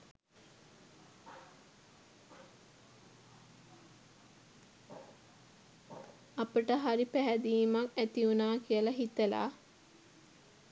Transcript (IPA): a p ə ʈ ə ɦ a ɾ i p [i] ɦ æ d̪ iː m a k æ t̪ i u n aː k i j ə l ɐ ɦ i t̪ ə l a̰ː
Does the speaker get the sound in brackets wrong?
yes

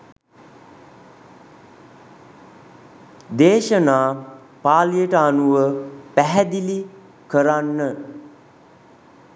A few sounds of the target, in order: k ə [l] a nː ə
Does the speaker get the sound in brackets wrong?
yes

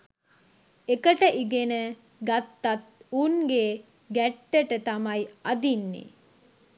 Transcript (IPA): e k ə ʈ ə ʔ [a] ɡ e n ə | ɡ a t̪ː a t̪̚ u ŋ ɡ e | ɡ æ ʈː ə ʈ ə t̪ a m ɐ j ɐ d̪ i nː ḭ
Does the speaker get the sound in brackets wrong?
yes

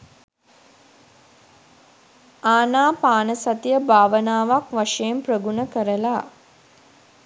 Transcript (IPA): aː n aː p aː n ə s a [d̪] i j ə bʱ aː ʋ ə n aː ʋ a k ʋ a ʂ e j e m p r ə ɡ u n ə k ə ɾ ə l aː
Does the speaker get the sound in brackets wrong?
yes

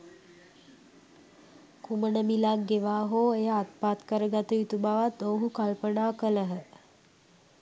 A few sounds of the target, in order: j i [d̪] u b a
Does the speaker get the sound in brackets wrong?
yes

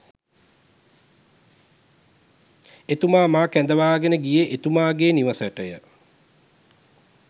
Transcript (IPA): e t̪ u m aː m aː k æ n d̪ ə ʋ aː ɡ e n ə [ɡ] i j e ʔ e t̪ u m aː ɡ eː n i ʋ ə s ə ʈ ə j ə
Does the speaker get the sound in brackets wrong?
no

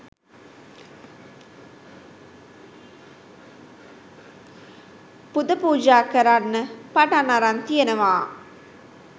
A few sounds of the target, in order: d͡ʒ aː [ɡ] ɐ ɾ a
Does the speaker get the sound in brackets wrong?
yes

